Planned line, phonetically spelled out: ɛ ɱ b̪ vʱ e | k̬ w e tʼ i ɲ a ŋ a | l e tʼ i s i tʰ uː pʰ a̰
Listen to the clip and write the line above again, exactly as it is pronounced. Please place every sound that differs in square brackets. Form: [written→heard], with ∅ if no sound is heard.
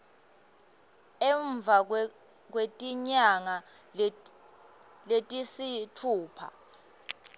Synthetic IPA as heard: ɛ ɱ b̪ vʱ [e→a] | k̬ w e tʼ i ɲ a ŋ a | l e tʼ i s i tʰ uː pʰ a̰